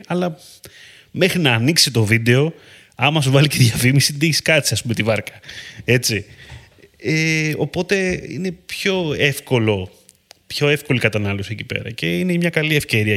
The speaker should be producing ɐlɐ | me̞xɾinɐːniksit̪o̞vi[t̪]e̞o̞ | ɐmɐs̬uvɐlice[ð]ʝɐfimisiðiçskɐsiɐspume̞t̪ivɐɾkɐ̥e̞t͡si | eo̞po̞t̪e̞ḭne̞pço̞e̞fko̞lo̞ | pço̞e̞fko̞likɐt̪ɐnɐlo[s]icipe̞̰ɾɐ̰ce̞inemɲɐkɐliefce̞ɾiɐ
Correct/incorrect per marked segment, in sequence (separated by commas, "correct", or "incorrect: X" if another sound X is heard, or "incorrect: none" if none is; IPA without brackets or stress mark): incorrect: d̪, correct, correct